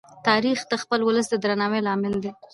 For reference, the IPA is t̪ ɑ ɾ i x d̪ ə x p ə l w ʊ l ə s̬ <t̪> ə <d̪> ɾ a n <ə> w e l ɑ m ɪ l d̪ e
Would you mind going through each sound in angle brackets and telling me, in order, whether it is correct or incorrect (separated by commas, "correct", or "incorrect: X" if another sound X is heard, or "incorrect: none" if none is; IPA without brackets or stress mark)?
incorrect: d̪, correct, incorrect: ɑ